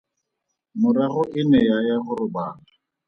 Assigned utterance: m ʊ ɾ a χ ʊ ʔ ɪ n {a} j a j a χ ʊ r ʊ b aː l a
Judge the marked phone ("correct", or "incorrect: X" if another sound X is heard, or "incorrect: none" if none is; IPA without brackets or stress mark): incorrect: ɛ